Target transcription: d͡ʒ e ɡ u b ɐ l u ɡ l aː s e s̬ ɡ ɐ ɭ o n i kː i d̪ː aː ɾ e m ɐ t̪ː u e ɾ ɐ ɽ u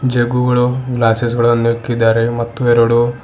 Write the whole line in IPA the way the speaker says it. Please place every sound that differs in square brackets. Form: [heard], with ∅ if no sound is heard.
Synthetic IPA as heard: d͡ʒ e ɡ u [ɡ] ɐ [ɭ] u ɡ l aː s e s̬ ɡ ɐ ɭ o n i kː i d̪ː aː ɾ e m ɐ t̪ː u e ɾ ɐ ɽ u